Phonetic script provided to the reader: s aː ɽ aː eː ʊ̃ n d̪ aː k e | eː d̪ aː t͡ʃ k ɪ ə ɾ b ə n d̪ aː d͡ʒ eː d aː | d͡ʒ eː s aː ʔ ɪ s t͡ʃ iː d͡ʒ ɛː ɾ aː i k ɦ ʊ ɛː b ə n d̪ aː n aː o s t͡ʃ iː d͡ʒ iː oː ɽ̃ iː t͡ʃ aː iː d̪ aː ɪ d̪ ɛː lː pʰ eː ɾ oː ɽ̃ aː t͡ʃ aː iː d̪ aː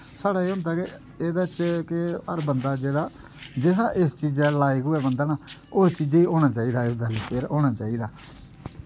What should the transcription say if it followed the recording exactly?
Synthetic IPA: s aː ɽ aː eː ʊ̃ n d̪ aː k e | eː d̪ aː t͡ʃ k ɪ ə ɾ b ə n d̪ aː d͡ʒ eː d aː | d͡ʒ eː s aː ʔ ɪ s t͡ʃ iː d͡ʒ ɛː l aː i k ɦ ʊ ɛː b ə n d̪ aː n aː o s t͡ʃ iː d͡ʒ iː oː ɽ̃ aː t͡ʃ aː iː d̪ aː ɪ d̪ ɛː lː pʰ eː ɾ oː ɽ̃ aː t͡ʃ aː iː d̪ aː